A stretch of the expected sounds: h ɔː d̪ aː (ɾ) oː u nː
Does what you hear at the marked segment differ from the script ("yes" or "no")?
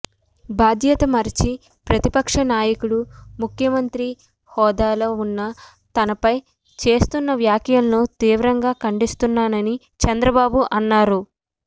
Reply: yes